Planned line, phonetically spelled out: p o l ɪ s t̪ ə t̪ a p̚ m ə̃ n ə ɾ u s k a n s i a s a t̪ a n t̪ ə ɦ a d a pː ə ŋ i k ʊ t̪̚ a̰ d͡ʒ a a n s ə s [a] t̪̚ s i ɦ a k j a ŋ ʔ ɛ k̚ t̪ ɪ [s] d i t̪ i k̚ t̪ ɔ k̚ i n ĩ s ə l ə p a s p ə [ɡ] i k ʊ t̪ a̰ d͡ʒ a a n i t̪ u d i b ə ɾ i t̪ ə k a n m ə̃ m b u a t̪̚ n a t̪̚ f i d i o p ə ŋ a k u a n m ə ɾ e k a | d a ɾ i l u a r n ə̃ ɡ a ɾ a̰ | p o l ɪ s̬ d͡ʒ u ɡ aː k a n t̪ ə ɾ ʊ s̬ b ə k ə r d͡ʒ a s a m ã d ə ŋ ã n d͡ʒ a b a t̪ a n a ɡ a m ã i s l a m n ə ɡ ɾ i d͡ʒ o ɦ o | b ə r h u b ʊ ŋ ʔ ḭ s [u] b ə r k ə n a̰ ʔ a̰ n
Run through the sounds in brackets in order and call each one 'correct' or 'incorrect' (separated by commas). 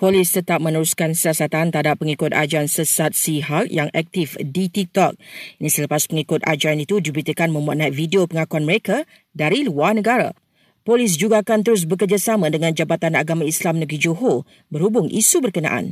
correct, incorrect, incorrect, correct